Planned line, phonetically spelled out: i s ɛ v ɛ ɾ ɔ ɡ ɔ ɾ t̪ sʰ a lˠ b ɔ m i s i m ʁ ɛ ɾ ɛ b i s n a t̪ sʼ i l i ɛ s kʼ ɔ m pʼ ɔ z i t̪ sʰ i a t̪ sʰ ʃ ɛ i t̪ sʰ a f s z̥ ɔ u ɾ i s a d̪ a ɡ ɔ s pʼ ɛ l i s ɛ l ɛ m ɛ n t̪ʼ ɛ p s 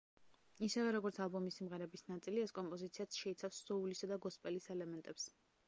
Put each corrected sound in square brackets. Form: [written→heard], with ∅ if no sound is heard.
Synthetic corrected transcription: i s ɛ v ɛ ɾ ɔ ɡ ɔ ɾ t̪ sʰ a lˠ b ɔ m i s i m ʁ ɛ ɾ ɛ b i s n a t̪ sʼ i l i ɛ s kʼ ɔ m pʼ ɔ z i t̪ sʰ i a t̪ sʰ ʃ ɛ i t̪ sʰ a f s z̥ ɔ u [ɾ→l] i s a d̪ a ɡ ɔ s pʼ ɛ l i s ɛ l ɛ m ɛ n t̪ʼ ɛ p s